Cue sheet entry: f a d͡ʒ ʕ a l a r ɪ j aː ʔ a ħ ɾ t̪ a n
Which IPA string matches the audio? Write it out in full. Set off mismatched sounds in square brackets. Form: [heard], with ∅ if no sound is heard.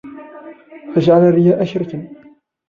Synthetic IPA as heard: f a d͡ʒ ʕ a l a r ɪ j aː ʔ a [ʃ] ɾ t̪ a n